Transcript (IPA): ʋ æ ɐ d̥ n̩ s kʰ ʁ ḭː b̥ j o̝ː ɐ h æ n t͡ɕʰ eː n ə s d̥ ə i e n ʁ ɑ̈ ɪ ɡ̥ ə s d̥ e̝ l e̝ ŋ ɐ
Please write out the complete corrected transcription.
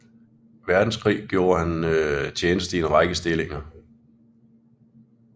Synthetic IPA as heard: ʋ æ ɐ d̥ n̩ s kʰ ʁ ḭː ɡ̥ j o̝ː ɐ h æ n t͡ɕʰ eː n ə s d̥ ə i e n ʁ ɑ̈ ɪ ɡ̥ ə s d̥ e̝ l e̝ ŋ ɐ